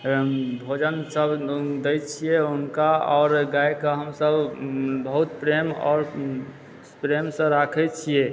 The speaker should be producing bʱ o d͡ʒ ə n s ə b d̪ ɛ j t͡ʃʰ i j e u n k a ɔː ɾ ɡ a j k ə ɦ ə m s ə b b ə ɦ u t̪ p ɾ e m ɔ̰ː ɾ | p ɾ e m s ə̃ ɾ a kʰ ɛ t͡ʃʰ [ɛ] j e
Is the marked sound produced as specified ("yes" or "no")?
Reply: no